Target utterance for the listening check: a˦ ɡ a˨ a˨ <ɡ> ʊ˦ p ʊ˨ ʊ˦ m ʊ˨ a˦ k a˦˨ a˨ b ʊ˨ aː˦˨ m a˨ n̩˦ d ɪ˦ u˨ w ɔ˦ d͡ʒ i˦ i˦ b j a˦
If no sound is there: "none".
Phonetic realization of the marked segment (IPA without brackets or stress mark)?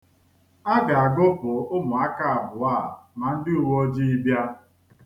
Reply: ɡ